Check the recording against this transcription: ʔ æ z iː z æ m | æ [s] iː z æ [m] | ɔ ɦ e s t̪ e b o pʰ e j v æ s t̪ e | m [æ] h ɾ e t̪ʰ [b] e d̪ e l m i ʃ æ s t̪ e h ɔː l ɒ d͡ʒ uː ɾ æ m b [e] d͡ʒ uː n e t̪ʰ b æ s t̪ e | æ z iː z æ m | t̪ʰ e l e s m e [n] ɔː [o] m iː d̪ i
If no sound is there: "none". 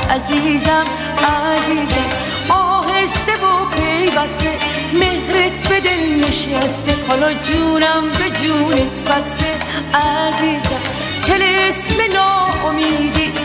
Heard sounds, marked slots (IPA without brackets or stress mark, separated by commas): z, m, e, b, e, n, o